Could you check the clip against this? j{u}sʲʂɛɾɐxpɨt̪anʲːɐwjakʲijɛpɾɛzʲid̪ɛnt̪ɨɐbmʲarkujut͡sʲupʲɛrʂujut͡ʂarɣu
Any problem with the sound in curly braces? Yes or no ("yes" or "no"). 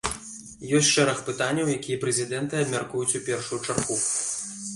yes